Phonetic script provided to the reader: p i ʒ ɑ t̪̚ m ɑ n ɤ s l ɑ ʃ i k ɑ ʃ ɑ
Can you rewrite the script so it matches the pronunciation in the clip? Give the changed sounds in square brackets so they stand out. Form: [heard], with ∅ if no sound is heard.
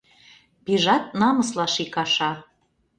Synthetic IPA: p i ʒ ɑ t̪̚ [n] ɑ [m] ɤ s l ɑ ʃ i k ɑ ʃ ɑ